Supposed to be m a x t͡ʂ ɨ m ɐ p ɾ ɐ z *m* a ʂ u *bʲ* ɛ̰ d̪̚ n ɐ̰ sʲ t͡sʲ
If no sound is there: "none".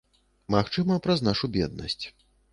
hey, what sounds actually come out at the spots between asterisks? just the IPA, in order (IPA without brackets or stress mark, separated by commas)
n, bʲ